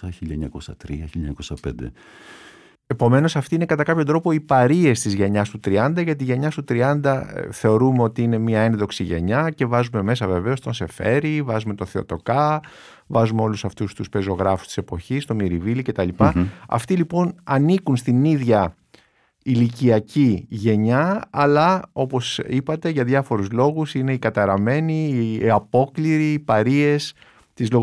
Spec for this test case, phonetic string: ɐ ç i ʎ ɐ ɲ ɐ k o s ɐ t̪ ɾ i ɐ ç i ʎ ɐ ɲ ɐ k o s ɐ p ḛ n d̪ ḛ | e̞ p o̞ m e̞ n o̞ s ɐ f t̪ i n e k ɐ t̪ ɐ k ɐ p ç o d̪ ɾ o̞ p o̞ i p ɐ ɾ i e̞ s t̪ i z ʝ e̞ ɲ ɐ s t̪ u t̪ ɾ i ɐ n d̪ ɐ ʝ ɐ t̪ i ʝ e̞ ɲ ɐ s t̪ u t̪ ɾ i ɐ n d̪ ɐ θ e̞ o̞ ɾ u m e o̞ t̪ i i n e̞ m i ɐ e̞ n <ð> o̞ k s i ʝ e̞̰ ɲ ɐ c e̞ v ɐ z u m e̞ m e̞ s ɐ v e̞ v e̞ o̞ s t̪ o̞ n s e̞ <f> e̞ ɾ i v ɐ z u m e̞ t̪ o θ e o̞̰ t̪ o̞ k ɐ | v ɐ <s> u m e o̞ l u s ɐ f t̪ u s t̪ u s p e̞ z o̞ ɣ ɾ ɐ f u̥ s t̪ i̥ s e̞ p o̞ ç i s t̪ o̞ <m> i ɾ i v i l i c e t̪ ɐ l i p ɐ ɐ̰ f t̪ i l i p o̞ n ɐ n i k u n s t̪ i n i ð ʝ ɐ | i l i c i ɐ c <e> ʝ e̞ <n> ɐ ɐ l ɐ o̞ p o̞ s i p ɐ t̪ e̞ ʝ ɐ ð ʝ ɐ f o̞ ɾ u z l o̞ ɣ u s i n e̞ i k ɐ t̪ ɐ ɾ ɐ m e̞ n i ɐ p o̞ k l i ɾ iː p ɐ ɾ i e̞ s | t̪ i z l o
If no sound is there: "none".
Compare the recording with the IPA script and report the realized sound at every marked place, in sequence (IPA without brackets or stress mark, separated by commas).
ð, f, z, m, i, ɲ